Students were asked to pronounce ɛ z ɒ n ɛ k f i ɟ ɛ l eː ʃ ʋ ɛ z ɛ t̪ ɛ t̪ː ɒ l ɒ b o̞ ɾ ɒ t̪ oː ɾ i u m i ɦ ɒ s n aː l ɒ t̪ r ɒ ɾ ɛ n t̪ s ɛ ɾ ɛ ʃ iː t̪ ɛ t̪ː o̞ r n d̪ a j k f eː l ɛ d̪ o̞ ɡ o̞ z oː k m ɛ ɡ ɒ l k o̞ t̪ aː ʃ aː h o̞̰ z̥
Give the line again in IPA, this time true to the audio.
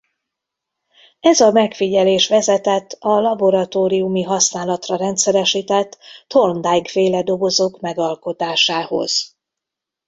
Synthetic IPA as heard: ɛ z ɒ m ɛ k f i ɟ ɛ l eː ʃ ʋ ɛ z ɛ t̪ ɛ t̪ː ɒ l ɒ b o̞ ɾ ɒ t̪ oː ɾ i u m i ɦ ɒ s n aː l ɒ t̪ r ɒ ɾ ɛ n t̪ s ɛ ɾ ɛ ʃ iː t̪ ɛ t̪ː o̞ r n d̪ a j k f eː l ɛ d̪ o̞ ɡ o̞ z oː k m ɛ ɡ ɒ l k o̞ t̪ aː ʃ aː h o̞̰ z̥